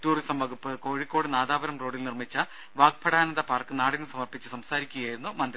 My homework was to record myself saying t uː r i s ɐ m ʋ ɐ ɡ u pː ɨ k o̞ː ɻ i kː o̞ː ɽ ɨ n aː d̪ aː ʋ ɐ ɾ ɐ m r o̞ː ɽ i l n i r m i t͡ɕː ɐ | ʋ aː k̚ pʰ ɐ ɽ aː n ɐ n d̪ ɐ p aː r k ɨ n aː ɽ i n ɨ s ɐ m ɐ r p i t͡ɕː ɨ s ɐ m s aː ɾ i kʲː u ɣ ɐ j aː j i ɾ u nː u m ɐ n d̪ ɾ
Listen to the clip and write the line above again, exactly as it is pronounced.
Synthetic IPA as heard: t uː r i s ɐ m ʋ ɐ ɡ u pː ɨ k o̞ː ɻ i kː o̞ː ɽ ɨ n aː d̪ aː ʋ ɐ ɾ ɐ m r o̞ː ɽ i l n i r m i t͡ɕː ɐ | ʋ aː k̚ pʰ ɐ ɽ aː n ɐ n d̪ ɐ p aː r k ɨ n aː ɽ i n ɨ s ɐ m ɐ r p i t͡ɕː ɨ s ɐ m s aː ɾ i kʲː u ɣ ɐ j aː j i ɾ u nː u m ɐ n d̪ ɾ

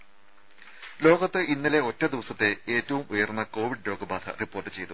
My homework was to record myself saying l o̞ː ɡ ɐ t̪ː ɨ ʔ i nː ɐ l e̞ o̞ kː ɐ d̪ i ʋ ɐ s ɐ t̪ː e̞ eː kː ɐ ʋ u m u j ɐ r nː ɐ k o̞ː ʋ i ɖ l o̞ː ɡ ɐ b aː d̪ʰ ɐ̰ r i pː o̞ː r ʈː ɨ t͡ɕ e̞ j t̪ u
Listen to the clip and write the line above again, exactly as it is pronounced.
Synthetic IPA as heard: l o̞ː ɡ ɐ t̪ː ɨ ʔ i nː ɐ l e̞ o̞ tː ɐ d̪ i ʋ ɐ s ɐ t̪ː e̞ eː tː ɐ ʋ u m u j ɐ r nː ɐ k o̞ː ʋ i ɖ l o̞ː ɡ ɐ b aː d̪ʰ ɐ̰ r i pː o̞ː r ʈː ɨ t͡ɕ e̞ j t̪ u

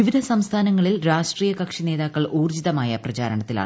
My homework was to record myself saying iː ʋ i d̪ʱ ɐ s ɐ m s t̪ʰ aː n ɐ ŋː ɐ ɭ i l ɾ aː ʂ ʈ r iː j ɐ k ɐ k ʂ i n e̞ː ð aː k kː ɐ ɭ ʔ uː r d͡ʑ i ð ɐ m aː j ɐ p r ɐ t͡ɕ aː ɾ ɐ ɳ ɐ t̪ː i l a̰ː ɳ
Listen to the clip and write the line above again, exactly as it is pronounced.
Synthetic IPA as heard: i ʋ i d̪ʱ ɐ s ɐ m s t̪ʰ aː n ɐ ŋː ɐ ɭ i l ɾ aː ʂ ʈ r iː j ɐ k ɐ k ʂ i n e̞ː ð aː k kː ɐ ɭ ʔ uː r d͡ʑ i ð ɐ m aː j ɐ p r ɐ t͡ɕ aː ɾ ɐ ɳ ɐ t̪ː i l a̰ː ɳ

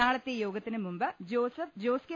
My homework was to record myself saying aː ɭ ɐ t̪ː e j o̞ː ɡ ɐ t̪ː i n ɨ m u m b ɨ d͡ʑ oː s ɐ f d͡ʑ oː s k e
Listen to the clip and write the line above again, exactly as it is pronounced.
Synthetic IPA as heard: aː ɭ ɐ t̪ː e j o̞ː ɡ ɐ t̪ː i n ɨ m u m b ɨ d͡ʑ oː s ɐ f d͡ʑ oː s k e

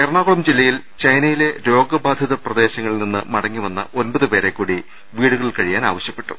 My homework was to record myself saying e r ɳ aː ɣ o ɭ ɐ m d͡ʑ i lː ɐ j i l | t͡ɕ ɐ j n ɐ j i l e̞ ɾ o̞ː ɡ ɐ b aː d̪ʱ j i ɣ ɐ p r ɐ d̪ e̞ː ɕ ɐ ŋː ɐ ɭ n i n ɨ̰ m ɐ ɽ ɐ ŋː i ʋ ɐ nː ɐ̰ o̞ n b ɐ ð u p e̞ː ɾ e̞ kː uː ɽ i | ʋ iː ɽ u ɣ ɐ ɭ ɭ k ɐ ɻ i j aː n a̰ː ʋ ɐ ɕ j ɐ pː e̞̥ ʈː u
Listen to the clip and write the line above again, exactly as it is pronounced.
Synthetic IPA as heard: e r ɳ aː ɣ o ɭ ɐ m d͡ʑ i lː ɐ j i l | t͡ɕ ɐ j n ɐ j i l e̞ ɾ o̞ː ɡ ɐ b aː d̪ʱ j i ð ɐ p r ɐ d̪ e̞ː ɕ ɐ ŋː ɐ ɭ n i nː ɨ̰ m ɐ ɽ ɐ ŋː i ʋ ɐ nː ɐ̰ o̞ n b ɐ ð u p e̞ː ɾ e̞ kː uː ɽ i | ʋ iː ɽ u ɣ ɐ ɭ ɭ k ɐ ɻ i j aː n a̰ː ʋ ɐ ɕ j ɐ pː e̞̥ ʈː u

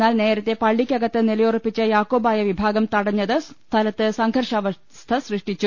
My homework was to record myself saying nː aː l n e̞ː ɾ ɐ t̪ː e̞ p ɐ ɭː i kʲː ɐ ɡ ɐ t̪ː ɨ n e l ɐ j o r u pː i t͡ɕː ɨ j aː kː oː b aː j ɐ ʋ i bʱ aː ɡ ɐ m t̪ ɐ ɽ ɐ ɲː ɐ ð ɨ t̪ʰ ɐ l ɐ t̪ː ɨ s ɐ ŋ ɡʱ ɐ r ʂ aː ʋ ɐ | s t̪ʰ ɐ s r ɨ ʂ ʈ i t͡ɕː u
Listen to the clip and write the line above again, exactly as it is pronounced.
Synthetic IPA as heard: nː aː l n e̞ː ɾ ɐ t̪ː e̞ p ɐ ɭː i kʲː ɐ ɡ ɐ t̪ː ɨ n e l ɐ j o r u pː i t͡ɕː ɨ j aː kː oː b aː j ɐ ʋ i bʱ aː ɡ ɐ m t̪ ɐ ɽ ɐ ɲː ɐ ð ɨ t̪ʰ ɐ l ɐ t̪ː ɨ s ɐ ŋ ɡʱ ɐ r ʂ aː ʋ ɐ | s t̪ʰ ɐ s r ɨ ʂ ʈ i t͡ɕː u

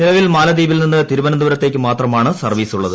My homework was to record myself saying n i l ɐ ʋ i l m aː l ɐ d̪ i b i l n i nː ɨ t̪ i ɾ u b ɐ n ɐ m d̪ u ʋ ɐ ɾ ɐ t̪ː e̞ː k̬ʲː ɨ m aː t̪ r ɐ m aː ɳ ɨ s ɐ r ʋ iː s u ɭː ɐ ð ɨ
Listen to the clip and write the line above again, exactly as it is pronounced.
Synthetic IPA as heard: n i l ɐ ʋ i l m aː l ɐ d̪ iː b i l n i nː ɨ t̪ i ɾ u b ɐ n ɐ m d̪ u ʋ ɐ ɾ ɐ t̪ː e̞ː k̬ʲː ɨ m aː t̪ r ɐ m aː ɳ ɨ s ɐ r ʋ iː s u ɭː ɐ ð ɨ

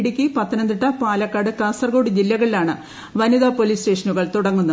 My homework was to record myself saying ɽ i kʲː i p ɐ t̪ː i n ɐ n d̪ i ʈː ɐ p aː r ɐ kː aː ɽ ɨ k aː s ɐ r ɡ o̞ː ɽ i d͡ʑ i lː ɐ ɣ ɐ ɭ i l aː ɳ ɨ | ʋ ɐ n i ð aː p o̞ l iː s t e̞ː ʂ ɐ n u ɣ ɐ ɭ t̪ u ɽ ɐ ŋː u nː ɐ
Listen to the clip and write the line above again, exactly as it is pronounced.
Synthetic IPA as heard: ɽ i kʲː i p ɐ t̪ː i n ɐ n d̪ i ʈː ɐ p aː l ɐ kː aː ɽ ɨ k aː s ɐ r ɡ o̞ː ɽ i d͡ʑ i lː ɐ ɣ ɐ ɭ i l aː ɳ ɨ | ʋ ɐ n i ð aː p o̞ l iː s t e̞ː ʂ ɐ n u ɣ ɐ ɭ t̪ u ɽ ɐ ŋː u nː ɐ

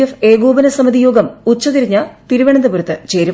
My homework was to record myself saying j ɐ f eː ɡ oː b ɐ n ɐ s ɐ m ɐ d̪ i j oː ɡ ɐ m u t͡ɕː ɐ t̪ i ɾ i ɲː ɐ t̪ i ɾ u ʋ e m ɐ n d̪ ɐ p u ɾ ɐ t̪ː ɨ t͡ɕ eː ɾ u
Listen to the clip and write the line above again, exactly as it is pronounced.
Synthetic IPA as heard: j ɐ f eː ɡ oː b ɐ n ɐ s ɐ m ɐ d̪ i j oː ɡ ɐ m u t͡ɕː ɐ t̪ i ɾ i ɲː ɐ t̪ i ɾ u ʋ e ɳ ɐ n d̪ ɐ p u ɾ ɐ t̪ː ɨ t͡ɕ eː ɾ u

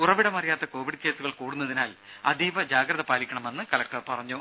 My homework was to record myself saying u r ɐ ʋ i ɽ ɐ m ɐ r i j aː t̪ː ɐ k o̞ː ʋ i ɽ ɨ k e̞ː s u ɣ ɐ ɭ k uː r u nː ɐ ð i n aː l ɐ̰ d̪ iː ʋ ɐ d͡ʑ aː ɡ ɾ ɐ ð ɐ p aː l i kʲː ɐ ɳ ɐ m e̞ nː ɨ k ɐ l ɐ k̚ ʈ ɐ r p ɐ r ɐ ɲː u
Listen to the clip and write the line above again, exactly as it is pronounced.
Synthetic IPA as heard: u r ɐ ʋ i ɽ ɐ m ɐ r i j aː t̪ː ɐ k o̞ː ʋ i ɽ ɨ k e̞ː s u ɣ ɐ ɭ k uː ɽ u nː ɐ ð i n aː l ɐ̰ d̪ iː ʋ ɐ d͡ʑ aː ɡ ɾ ɐ ð ɐ p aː l i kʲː ɐ ɳ ɐ m e̞ nː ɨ k ɐ l ɐ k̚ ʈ ɐ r p ɐ r ɐ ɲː u

